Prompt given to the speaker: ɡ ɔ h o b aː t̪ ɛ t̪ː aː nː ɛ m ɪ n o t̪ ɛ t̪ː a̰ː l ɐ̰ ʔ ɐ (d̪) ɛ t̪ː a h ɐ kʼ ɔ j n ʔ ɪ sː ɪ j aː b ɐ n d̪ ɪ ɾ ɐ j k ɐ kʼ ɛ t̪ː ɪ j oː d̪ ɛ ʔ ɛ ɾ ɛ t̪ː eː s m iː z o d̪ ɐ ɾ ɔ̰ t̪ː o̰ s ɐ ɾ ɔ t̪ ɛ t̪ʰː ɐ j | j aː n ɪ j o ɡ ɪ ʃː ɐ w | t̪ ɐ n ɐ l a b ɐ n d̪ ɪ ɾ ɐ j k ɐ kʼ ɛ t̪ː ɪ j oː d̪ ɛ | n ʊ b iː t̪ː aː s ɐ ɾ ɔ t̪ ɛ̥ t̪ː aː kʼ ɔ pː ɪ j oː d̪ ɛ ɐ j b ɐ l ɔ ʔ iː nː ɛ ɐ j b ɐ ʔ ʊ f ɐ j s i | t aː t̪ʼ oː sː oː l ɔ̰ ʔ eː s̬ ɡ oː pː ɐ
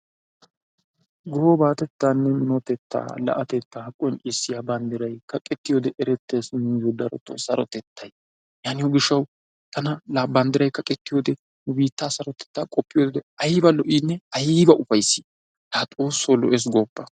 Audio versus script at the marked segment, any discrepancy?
yes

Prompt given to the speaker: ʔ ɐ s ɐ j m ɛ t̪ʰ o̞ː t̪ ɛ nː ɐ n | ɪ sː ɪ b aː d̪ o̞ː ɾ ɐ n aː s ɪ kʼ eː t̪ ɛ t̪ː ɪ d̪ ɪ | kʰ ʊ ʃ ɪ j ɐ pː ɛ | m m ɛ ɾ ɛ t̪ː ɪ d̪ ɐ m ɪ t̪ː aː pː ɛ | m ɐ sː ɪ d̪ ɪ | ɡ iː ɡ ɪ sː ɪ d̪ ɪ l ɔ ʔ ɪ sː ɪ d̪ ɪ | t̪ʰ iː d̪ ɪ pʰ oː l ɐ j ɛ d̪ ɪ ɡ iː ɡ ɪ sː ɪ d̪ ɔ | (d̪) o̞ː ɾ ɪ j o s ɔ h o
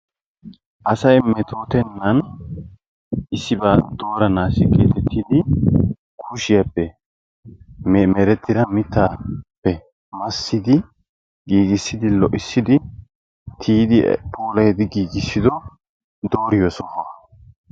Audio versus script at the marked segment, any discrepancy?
no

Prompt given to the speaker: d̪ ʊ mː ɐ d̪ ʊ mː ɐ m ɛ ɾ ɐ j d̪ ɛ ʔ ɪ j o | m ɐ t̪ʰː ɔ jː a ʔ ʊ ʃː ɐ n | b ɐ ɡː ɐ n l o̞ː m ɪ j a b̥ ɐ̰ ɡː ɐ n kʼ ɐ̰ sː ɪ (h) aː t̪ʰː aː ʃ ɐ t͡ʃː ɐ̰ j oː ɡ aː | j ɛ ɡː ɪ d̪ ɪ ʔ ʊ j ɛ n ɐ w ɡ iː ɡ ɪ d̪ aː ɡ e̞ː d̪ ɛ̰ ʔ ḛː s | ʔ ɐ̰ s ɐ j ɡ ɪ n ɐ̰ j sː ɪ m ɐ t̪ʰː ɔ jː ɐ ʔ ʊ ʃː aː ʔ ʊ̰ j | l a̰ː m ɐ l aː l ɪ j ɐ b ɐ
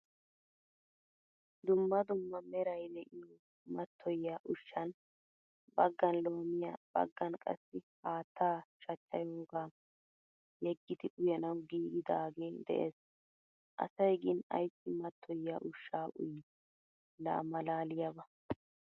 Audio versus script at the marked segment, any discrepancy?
no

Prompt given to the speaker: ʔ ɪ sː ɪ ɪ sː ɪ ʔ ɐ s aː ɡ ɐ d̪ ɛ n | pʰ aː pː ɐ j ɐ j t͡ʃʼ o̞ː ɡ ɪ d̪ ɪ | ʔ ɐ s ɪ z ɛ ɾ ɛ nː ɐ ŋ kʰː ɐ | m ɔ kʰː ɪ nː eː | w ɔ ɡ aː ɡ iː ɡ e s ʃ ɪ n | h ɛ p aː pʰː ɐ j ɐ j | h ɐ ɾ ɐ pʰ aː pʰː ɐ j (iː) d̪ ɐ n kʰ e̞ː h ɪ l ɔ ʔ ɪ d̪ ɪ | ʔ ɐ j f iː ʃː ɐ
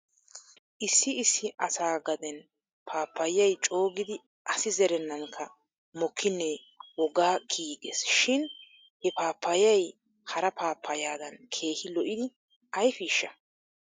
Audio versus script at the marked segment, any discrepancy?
yes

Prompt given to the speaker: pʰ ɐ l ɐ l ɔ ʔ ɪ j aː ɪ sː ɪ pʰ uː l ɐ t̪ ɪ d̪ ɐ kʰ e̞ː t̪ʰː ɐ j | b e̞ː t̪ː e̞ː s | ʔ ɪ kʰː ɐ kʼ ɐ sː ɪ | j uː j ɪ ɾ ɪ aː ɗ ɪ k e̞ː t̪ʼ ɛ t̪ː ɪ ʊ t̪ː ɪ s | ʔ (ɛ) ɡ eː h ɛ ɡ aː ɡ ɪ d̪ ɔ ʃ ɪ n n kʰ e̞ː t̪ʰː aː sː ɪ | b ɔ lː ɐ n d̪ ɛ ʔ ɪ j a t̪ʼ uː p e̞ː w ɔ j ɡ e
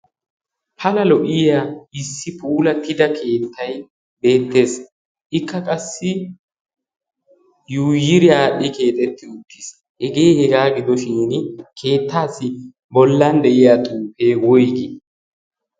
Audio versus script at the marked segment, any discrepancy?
no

